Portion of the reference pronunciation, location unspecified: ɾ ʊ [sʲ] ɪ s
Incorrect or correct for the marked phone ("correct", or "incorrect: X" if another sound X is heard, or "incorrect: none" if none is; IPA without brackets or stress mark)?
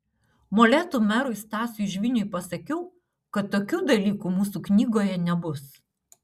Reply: incorrect: none